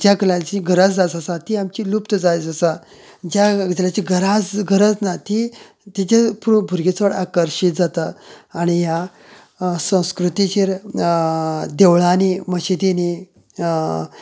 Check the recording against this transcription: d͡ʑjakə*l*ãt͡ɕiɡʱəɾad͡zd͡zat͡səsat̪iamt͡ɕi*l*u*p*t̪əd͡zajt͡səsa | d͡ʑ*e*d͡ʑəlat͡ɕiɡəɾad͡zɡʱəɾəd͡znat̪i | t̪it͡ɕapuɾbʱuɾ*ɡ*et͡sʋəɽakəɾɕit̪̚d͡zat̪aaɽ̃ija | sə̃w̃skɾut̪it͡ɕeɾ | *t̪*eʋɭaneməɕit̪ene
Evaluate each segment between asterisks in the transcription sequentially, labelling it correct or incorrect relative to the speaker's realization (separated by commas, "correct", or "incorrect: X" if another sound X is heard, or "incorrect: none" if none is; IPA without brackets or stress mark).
correct, correct, correct, incorrect: a, correct, incorrect: d̪